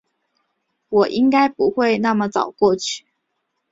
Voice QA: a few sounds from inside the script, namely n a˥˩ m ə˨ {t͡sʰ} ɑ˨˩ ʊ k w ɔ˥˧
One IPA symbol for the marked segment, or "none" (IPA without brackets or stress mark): t͡s